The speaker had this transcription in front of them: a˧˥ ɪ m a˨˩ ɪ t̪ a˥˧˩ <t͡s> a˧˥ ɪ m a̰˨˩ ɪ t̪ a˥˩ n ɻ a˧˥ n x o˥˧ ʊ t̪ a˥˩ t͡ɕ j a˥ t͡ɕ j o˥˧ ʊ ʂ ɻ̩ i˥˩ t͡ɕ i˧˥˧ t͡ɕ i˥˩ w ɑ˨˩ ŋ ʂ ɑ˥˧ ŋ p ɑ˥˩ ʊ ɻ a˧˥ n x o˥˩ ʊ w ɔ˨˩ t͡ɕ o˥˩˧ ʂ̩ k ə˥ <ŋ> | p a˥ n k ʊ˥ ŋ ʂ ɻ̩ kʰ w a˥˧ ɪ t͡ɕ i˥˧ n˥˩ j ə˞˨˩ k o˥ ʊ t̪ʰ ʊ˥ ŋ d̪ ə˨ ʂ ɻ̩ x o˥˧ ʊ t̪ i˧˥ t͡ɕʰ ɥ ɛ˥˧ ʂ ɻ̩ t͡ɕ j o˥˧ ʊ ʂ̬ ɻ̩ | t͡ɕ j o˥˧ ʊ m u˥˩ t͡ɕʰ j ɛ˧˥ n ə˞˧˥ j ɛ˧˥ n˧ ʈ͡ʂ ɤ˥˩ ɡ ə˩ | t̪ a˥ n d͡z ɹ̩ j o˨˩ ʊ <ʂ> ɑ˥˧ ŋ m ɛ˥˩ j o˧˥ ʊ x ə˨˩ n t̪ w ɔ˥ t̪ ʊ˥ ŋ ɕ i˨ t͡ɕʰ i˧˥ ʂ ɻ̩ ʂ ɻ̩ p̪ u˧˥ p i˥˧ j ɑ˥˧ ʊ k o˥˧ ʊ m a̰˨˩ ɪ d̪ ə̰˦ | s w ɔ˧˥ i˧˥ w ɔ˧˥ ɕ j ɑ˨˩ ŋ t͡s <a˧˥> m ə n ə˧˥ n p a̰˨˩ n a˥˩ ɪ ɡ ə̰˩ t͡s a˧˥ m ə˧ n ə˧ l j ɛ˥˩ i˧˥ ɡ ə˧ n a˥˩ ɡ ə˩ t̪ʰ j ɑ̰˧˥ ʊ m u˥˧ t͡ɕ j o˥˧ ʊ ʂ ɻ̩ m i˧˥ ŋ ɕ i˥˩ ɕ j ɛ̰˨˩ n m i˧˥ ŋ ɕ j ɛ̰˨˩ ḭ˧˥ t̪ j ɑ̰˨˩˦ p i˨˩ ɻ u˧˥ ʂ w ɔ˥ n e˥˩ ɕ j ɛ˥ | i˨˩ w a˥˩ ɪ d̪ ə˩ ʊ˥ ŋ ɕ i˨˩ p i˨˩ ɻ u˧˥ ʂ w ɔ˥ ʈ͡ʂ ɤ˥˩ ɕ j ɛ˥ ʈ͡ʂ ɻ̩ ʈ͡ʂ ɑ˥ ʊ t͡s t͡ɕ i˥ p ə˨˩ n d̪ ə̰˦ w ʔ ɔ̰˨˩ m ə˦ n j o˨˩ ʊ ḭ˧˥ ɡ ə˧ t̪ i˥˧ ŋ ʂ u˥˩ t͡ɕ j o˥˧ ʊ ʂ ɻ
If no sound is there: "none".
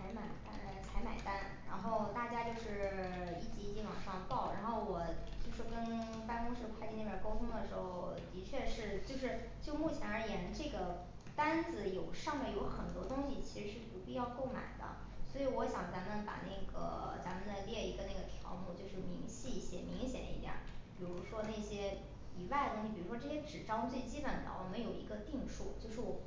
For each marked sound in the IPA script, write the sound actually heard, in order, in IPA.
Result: t͡sʰ, n, ʂ, a˧˥

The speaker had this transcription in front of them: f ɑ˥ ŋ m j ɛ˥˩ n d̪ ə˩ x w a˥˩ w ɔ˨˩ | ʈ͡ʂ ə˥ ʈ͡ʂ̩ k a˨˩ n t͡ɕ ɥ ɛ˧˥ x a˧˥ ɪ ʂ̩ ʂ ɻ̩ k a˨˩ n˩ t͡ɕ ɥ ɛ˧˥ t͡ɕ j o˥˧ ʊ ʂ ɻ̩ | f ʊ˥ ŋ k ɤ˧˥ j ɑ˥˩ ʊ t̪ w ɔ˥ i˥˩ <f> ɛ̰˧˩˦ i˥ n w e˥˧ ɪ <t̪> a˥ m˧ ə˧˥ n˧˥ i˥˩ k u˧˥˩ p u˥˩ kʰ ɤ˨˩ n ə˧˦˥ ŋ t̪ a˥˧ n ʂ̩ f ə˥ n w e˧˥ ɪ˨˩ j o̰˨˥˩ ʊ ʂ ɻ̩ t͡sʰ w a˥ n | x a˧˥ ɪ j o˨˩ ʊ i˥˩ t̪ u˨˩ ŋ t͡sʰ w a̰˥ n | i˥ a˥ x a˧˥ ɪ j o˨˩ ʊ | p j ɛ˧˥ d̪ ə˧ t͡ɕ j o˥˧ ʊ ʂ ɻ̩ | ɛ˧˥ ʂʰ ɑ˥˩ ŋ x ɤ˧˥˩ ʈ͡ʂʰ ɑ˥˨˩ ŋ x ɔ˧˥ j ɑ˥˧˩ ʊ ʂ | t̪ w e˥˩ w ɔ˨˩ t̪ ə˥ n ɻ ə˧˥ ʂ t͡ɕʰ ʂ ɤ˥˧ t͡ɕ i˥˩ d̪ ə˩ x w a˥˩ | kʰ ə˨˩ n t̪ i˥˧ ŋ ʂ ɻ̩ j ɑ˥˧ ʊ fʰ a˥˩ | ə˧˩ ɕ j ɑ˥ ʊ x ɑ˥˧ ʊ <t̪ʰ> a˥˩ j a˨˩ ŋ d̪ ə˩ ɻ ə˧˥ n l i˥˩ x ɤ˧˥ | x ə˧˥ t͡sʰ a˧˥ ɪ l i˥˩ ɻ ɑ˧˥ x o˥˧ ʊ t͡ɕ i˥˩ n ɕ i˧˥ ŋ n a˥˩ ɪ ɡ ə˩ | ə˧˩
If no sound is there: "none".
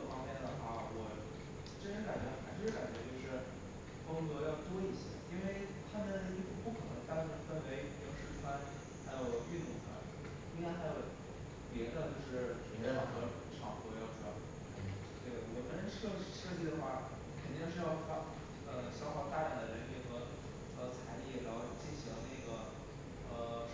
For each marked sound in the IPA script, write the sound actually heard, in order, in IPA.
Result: ɕ, t̪ʰ, t̪

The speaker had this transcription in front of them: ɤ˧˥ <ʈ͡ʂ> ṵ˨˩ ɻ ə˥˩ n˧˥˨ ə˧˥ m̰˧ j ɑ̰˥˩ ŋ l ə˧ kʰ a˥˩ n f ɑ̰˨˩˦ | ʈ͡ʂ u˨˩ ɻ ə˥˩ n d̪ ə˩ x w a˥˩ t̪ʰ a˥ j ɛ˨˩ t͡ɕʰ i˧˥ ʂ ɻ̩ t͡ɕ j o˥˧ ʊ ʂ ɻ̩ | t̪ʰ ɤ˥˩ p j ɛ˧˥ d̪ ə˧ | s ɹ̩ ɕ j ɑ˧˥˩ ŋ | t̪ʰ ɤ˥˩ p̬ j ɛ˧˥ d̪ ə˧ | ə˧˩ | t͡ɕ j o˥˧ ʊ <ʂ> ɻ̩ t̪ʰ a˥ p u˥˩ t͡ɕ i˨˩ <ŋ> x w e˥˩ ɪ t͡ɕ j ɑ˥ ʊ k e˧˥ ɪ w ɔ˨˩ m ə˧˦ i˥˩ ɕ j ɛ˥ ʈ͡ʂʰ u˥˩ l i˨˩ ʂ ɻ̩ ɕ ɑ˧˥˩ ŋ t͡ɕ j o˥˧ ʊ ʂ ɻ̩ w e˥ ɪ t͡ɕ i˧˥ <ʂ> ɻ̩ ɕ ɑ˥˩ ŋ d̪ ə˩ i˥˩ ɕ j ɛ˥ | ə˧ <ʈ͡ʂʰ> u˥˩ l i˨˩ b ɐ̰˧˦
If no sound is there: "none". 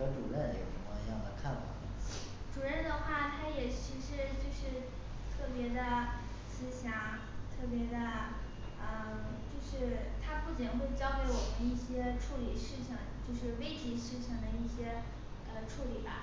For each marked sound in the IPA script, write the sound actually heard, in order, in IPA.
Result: ʈ͡ʂ, ʂ, n, ʂ, ʈ͡ʂʰ

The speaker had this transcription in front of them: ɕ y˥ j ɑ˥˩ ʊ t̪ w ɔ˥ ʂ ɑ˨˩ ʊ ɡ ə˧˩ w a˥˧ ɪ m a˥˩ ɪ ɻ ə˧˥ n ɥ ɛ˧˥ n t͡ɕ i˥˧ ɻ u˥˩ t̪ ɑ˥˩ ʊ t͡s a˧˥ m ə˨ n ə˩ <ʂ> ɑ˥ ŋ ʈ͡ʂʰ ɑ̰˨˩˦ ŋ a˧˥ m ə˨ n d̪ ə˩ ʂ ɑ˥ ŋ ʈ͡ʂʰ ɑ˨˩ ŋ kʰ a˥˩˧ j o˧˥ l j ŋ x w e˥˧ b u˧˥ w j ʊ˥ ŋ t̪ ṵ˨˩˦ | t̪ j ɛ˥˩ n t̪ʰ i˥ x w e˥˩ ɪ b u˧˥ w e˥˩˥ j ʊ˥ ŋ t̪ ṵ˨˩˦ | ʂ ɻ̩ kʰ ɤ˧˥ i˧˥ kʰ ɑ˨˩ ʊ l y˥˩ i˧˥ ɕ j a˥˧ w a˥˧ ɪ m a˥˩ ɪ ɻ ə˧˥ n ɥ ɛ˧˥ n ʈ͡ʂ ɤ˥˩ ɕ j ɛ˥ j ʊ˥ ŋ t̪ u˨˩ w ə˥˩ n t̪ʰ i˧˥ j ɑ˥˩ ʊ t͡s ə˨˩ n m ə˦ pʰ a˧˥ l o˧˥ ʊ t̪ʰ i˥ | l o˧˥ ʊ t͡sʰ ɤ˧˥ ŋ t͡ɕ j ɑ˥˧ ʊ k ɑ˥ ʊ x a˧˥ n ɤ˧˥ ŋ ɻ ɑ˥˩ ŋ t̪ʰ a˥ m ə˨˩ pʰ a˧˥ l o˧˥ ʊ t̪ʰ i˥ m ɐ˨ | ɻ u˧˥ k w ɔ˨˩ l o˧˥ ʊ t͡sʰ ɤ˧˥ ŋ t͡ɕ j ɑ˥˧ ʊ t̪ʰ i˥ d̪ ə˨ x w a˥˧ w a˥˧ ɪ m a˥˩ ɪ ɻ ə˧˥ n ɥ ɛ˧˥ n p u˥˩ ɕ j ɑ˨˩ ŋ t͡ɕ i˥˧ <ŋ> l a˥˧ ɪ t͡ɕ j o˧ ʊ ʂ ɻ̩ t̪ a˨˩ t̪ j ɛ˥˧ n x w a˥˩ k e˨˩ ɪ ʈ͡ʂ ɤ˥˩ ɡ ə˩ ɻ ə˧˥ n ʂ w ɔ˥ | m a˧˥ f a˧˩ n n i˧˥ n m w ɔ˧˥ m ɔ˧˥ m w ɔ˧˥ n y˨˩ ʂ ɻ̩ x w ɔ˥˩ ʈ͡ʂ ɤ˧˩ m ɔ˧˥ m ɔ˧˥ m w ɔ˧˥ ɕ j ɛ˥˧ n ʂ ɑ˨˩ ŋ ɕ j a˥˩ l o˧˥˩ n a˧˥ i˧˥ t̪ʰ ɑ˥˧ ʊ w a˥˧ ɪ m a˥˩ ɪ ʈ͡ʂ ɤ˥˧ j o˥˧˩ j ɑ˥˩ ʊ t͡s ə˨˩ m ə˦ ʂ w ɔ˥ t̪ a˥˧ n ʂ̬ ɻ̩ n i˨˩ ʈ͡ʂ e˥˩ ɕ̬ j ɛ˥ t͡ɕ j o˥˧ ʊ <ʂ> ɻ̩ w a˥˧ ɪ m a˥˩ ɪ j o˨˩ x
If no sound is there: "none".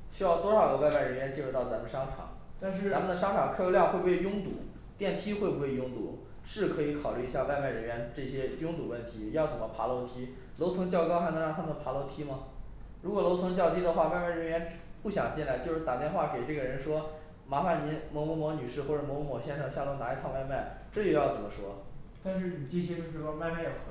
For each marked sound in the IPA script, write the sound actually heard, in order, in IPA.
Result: ʂ, n, ʂ

